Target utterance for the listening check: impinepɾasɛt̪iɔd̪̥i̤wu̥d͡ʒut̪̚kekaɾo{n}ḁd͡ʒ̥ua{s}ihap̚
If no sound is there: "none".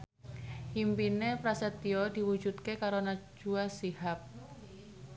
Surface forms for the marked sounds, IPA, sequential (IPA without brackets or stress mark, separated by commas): n, s